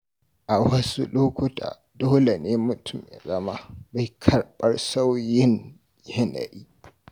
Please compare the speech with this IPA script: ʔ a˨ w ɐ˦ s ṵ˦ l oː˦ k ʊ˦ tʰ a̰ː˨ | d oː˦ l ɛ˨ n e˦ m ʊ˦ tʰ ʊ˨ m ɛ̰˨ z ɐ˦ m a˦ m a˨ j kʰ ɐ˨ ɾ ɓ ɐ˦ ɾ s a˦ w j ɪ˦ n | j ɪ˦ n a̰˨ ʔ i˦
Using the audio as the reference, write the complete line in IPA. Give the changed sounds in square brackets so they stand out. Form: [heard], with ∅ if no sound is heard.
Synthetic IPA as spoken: ʔ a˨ w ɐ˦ s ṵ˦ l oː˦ k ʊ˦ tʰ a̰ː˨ | d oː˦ l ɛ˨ n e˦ m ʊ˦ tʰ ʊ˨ m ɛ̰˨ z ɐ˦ m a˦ [b] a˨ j kʰ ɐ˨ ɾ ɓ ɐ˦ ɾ s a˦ w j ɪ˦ n | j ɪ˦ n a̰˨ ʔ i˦